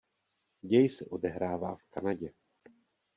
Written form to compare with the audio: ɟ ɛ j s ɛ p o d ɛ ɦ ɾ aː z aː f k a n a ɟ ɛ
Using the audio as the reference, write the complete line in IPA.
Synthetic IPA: ɟ ɛ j s ɛ ʔ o d ɛ ɦ ɾ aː v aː f k a n a ɟ ɛ